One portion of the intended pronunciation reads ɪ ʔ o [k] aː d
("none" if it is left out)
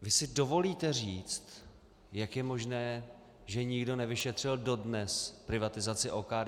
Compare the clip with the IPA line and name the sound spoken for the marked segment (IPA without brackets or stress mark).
k